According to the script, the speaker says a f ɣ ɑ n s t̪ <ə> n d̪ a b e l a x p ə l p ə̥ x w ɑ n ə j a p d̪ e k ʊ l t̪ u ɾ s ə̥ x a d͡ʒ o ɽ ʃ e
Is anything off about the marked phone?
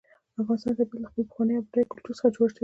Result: yes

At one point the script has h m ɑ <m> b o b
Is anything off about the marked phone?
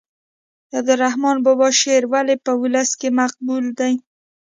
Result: yes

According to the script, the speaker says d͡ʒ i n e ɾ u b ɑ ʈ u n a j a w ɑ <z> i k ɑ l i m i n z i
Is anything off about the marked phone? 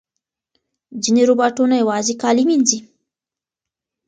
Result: no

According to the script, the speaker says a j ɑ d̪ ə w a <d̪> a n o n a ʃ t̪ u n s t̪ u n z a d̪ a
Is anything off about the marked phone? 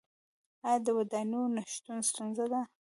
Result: no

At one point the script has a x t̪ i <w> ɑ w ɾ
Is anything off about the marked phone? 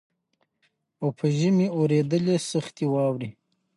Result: no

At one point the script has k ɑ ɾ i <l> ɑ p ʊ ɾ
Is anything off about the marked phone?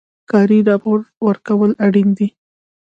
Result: yes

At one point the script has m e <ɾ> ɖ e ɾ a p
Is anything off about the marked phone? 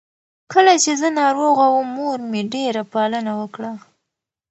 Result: yes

